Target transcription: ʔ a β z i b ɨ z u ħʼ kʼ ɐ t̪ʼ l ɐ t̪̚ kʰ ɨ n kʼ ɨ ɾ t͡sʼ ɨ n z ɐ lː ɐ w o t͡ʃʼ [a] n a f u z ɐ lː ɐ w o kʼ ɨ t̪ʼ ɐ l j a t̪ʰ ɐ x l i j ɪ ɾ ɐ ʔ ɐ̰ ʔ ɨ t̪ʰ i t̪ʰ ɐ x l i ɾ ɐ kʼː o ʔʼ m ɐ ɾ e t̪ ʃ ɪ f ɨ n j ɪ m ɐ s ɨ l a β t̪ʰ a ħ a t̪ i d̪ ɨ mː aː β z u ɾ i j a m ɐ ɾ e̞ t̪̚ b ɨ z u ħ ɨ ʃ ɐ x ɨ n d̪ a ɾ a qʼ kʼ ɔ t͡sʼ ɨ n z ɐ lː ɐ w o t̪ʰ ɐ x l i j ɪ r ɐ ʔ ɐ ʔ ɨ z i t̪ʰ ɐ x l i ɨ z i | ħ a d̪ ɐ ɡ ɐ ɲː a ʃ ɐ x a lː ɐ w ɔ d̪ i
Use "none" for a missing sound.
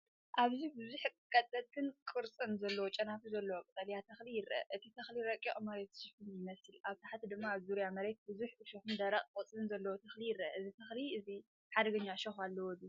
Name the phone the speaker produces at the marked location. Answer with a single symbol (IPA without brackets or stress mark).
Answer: ɐ